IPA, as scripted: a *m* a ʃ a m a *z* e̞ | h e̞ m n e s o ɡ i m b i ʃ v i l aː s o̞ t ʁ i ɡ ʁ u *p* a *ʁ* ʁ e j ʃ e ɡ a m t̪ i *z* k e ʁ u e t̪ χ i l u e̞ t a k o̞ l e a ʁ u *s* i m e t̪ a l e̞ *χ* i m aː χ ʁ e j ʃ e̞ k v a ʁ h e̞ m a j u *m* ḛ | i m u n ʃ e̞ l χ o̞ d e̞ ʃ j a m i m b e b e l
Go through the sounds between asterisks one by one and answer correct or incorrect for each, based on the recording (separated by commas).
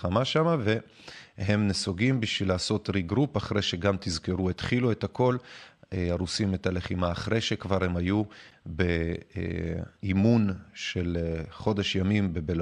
correct, incorrect, correct, incorrect, correct, correct, correct, incorrect